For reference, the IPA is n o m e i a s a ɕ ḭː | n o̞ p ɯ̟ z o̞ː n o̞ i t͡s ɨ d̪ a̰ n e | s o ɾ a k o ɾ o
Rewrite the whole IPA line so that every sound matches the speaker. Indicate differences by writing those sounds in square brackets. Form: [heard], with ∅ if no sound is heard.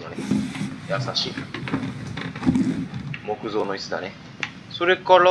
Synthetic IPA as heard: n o [n] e [j] a s a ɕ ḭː | [m] o̞ [k] ɯ̟ z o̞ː n o̞ i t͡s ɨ d̪ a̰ n e | s o ɾ [e] k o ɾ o